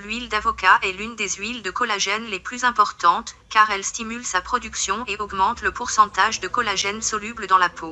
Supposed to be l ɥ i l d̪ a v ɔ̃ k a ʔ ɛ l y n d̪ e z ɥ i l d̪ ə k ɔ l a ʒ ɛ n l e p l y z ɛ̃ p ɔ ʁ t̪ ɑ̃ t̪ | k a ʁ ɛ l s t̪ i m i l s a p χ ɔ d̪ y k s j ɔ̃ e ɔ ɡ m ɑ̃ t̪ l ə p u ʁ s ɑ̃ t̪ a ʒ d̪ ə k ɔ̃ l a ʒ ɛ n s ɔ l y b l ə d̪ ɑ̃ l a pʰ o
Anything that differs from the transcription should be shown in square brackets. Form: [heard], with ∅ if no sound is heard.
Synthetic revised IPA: l ɥ i l d̪ a v [ɔ] k a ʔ ɛ l y n d̪ e z ɥ i l d̪ ə k ɔ l a ʒ ɛ n l e p l y z ɛ̃ p ɔ ʁ t̪ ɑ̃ t̪ | k a ʁ ɛ l s t̪ i m [y] l s a p χ ɔ d̪ y k s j ɔ̃ e ɔ ɡ m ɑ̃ t̪ l ə p u ʁ s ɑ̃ t̪ a ʒ d̪ ə k [ɔ] l a ʒ ɛ n s ɔ l y b l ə d̪ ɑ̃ l a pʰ o